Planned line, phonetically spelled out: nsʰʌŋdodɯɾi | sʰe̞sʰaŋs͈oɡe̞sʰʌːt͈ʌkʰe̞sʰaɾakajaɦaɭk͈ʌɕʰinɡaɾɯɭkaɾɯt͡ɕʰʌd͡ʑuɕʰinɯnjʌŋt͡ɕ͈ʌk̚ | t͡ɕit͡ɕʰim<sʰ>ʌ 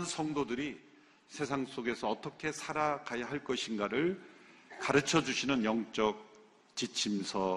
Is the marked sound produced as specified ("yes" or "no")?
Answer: yes